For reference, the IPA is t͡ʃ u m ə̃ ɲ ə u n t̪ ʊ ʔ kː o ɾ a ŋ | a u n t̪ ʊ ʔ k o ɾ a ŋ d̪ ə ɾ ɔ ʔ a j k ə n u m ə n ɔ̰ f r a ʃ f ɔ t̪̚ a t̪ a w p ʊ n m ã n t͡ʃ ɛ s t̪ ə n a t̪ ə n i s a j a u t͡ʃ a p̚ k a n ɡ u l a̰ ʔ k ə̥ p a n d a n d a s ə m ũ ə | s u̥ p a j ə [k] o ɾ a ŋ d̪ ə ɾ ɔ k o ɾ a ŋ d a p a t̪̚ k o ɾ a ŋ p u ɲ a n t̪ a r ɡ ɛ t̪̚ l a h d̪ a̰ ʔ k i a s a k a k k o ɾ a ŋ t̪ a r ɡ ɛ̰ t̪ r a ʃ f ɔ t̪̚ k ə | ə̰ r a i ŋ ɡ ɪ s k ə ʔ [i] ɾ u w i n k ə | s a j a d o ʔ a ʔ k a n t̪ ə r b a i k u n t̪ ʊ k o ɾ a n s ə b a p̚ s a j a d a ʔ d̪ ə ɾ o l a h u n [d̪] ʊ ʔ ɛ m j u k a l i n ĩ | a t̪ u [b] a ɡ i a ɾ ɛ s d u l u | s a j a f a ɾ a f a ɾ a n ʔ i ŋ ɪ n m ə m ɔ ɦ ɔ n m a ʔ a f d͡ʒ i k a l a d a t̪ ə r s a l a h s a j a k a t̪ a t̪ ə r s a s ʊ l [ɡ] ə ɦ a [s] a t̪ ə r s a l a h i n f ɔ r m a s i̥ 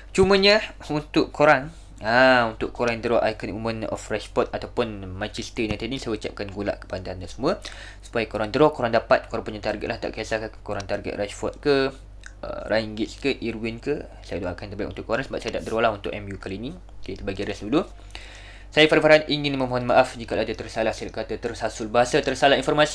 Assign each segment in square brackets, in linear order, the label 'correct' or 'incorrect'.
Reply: correct, correct, incorrect: t̪, correct, incorrect: b, correct

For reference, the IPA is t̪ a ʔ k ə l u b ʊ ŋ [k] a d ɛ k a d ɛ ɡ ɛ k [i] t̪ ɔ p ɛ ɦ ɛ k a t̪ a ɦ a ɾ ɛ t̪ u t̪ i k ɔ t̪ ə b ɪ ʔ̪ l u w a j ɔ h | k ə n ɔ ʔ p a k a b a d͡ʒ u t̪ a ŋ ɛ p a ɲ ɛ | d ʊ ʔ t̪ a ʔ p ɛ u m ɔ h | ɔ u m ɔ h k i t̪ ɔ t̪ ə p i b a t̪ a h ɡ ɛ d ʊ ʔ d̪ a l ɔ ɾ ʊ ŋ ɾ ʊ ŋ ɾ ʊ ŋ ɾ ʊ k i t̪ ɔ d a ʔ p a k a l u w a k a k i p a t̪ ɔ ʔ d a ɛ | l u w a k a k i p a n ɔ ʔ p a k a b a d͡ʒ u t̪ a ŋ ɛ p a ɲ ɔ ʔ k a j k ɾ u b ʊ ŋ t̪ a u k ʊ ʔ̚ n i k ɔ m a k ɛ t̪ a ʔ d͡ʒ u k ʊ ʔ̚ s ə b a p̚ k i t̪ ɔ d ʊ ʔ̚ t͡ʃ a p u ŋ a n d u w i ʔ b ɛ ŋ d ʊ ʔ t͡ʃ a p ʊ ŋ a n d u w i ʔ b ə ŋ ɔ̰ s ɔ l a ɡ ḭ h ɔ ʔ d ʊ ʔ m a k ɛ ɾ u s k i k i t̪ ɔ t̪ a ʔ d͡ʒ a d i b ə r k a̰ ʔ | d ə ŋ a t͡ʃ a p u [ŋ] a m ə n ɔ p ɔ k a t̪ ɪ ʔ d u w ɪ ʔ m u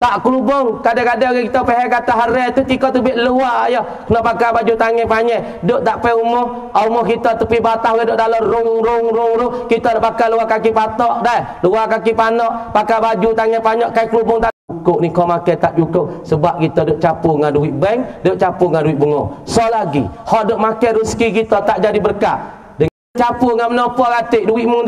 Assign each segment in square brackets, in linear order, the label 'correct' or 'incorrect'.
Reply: correct, correct, correct

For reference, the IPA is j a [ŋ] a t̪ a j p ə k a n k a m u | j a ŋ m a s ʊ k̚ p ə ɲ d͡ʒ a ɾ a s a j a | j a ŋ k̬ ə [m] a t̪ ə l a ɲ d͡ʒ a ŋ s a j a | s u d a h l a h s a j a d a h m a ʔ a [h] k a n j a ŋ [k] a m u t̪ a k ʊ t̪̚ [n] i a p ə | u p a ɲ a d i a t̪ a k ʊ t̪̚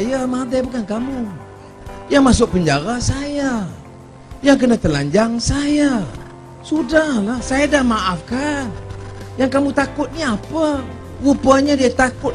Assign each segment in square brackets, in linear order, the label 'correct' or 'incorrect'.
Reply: incorrect: m, incorrect: n, incorrect: f, correct, correct

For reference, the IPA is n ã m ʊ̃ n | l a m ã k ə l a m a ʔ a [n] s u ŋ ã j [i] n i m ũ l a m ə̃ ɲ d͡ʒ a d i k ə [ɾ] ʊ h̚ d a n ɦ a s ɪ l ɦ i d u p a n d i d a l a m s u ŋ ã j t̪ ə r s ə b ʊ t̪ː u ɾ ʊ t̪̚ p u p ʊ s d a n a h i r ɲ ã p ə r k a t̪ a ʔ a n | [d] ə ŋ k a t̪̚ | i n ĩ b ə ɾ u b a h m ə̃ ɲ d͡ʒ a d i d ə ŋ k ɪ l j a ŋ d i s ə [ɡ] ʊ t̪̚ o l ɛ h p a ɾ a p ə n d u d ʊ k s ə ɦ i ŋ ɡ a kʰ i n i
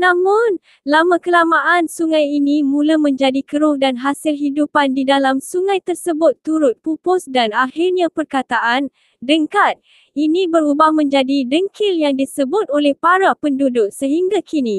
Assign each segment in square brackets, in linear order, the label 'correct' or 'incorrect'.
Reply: correct, correct, correct, correct, incorrect: b

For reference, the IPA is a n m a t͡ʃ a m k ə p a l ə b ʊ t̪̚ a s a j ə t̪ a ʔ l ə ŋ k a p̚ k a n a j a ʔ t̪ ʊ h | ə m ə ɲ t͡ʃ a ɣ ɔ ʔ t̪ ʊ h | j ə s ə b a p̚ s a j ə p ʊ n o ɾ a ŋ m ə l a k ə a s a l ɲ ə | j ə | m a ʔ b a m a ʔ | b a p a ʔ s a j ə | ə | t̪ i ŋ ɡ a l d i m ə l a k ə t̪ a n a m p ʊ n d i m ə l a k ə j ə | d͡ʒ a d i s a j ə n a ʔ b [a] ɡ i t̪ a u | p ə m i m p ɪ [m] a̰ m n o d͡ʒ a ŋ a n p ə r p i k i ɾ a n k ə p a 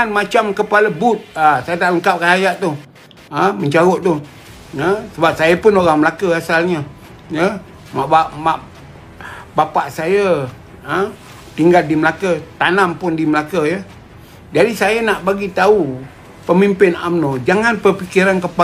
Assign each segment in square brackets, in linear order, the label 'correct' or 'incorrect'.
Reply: correct, incorrect: n

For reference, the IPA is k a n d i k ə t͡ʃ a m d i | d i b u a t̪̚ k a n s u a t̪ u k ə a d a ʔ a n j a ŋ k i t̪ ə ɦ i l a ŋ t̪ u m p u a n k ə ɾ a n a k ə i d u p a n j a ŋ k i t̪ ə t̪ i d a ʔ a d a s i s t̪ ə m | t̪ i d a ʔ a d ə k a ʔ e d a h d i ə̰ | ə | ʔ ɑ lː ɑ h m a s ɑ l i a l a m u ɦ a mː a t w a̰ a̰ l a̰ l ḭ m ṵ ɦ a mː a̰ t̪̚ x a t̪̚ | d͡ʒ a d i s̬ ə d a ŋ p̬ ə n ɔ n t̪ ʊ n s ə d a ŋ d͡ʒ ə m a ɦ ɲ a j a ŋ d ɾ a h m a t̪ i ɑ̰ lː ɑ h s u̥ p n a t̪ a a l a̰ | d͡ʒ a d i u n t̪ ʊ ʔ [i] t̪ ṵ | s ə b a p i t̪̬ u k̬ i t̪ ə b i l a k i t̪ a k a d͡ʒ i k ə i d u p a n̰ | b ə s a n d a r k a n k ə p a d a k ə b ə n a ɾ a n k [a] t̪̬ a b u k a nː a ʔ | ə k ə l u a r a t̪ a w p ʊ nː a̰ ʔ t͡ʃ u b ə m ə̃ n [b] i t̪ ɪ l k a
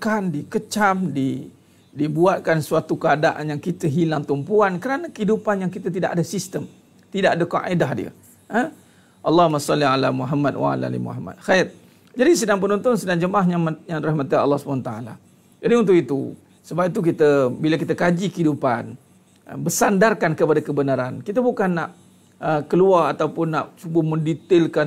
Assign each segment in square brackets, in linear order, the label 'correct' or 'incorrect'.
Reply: correct, incorrect: i, incorrect: d

